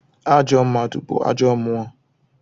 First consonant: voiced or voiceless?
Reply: voiced